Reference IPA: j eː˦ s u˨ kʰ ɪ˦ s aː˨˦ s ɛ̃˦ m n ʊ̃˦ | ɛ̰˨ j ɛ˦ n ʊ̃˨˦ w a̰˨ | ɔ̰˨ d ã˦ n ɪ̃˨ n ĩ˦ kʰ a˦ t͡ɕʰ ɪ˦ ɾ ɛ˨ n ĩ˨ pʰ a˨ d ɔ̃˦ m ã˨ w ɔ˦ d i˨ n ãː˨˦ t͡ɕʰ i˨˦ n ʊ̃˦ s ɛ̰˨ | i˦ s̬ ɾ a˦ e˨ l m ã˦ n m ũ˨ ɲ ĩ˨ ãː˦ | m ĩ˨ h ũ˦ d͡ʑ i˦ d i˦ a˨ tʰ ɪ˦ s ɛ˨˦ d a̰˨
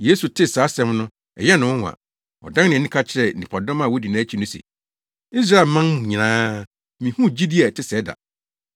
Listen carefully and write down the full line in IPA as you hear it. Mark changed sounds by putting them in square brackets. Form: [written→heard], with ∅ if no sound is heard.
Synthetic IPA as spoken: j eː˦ s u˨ [kʰ→tʰ] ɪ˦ s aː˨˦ s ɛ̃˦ m n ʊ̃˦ | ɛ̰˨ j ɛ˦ n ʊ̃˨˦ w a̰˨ | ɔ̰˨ d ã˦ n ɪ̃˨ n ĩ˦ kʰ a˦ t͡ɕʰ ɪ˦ ɾ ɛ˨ n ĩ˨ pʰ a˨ d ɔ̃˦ m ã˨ w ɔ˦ d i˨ n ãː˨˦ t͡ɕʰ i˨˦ n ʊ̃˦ s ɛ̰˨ | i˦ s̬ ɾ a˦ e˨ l m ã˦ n m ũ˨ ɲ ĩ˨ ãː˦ | m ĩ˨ h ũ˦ d͡ʑ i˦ d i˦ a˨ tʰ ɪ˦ s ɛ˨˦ d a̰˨

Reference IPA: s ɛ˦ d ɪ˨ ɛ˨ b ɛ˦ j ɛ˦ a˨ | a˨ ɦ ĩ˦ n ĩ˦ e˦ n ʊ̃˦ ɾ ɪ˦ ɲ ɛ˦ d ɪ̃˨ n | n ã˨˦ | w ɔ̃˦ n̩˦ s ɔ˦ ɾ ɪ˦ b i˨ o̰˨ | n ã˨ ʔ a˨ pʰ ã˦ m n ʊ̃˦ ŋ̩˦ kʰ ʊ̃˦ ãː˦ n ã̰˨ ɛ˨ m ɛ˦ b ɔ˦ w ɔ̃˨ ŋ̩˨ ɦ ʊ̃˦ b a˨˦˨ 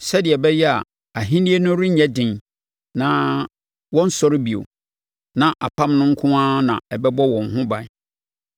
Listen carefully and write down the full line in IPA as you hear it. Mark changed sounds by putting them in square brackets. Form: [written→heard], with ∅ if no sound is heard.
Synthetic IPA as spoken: s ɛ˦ d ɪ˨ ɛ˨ b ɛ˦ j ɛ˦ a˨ | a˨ ɦ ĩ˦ n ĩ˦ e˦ n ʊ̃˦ ɾ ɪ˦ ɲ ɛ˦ d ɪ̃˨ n | n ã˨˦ | w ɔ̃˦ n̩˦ s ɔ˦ ɾ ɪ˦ b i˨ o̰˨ | n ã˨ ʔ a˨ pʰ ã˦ m n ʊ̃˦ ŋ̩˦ kʰ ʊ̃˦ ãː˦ n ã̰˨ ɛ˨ [m→b] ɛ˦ b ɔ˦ w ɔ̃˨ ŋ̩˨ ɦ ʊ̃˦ b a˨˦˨

